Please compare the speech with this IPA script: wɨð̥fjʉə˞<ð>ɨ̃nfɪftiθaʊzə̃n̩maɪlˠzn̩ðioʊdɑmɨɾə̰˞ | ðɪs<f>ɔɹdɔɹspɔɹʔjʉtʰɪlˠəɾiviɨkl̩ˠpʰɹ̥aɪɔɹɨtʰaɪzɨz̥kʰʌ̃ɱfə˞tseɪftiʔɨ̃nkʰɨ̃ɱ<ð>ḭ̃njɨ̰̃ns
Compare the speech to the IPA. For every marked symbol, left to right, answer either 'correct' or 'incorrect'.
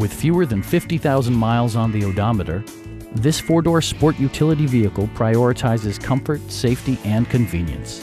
correct, correct, incorrect

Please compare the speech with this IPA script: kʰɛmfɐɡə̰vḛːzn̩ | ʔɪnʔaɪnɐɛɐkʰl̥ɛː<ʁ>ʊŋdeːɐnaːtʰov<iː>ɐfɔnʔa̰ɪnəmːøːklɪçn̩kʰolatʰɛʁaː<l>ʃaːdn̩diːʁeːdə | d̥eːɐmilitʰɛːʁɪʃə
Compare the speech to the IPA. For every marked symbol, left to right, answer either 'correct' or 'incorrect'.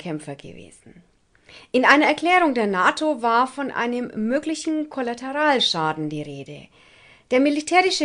correct, incorrect, correct

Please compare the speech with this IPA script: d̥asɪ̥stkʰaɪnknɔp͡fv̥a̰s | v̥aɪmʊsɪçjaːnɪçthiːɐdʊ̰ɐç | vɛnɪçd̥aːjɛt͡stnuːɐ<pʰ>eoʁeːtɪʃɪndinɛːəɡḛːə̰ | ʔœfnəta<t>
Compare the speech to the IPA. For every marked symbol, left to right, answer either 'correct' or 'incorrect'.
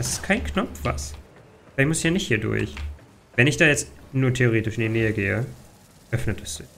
incorrect, incorrect

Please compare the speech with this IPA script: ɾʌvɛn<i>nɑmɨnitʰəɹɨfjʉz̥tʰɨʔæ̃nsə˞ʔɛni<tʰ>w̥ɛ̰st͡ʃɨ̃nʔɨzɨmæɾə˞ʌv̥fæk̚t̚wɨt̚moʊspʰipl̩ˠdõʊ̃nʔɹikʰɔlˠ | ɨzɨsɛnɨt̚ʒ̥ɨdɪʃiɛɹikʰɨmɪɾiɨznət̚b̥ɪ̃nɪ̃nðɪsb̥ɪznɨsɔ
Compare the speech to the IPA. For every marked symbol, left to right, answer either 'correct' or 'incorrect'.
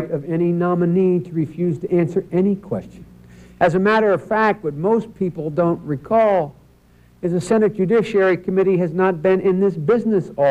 correct, incorrect

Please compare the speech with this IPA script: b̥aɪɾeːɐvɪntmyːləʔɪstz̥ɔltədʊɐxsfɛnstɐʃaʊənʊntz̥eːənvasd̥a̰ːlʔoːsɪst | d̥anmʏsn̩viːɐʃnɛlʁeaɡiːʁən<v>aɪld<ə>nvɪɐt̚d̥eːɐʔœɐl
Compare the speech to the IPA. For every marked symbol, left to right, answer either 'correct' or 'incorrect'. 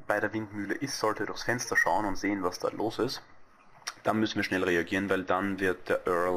correct, incorrect

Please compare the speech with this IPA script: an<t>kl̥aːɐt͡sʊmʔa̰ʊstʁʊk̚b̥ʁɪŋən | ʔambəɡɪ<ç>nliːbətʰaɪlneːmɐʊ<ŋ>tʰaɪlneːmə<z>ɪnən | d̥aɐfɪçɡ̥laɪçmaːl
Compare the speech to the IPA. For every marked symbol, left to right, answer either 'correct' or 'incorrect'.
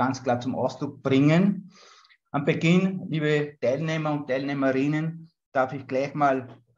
incorrect, incorrect, incorrect, incorrect

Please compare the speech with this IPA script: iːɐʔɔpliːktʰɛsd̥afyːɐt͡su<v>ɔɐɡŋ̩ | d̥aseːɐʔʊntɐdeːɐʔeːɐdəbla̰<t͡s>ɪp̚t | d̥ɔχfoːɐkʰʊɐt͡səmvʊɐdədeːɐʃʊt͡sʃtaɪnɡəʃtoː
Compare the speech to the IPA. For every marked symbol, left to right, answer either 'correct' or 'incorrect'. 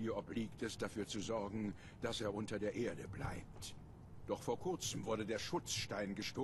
incorrect, incorrect

